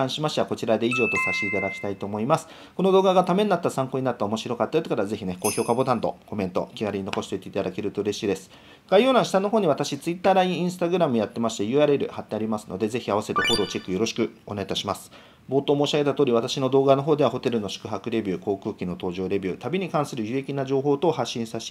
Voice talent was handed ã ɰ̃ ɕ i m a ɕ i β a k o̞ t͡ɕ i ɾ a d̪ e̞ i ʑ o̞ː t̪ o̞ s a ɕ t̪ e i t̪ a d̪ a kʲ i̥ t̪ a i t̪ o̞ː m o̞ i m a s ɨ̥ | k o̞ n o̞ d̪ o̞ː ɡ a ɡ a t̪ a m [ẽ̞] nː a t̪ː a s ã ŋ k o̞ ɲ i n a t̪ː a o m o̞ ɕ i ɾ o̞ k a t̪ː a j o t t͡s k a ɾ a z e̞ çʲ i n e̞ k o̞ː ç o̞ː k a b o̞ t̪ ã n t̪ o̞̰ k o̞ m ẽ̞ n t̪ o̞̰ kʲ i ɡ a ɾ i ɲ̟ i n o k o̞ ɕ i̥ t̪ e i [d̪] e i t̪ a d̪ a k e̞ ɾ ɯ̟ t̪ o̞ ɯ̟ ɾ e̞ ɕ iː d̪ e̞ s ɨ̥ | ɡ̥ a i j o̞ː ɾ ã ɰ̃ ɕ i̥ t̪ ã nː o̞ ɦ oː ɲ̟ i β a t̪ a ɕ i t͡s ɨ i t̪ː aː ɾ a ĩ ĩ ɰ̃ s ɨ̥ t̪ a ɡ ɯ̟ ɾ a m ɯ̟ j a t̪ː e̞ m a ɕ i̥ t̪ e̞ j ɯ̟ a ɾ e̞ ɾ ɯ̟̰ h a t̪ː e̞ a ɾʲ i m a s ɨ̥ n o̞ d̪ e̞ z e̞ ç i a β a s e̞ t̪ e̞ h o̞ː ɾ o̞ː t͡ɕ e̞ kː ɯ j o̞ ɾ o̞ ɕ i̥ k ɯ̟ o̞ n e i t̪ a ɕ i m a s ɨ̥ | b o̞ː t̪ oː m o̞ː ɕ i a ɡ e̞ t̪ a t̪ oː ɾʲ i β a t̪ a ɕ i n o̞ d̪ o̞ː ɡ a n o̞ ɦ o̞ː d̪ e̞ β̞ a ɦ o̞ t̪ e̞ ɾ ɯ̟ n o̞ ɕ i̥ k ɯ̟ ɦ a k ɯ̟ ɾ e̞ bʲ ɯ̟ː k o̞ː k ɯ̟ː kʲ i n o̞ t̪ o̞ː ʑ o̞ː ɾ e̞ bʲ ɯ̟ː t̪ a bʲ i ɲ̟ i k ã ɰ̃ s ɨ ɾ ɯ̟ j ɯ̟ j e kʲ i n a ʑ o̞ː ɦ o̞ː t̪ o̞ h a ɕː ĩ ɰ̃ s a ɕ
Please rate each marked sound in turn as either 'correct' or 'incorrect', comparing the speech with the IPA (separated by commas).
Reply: incorrect, incorrect